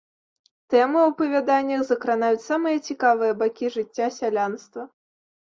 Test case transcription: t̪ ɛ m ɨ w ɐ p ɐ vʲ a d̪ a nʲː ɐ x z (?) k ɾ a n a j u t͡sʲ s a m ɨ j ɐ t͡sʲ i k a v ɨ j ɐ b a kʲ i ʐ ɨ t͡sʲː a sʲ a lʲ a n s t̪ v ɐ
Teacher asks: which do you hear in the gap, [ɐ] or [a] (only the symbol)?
ɐ